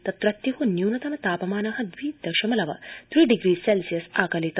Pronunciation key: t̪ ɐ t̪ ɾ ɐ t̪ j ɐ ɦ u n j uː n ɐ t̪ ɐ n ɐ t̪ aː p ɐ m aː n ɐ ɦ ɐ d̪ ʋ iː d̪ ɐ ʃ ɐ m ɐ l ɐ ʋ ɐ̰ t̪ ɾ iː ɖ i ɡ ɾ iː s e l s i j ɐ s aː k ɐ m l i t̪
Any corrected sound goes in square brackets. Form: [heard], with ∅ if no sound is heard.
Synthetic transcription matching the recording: t̪ ɐ t̪ ɾ ɐ t̪ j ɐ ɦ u n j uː n ɐ t̪ ɐ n ɐ t̪ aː p ɐ m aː n ɐ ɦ ɐ d̪ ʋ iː d̪ ɐ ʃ ɐ m ɐ l ɐ ʋ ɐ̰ t̪ ɾ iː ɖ i ɡ ɾ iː s e l s i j ɐ s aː k ɐ [∅] l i t̪